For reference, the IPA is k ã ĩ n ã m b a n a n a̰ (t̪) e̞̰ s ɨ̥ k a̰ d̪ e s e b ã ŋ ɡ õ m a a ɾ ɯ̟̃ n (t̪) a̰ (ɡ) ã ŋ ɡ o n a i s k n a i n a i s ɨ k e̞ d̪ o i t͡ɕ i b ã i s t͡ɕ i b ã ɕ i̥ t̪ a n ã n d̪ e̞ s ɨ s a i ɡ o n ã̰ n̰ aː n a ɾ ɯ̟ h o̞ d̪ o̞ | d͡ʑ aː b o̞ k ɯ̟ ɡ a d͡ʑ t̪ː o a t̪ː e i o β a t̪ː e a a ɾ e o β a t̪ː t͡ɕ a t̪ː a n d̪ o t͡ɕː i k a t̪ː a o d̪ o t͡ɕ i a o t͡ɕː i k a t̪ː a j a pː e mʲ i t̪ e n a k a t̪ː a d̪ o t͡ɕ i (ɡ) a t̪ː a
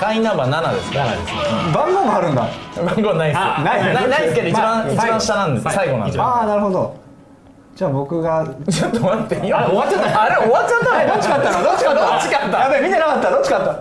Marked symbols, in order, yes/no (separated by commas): no, no, no, no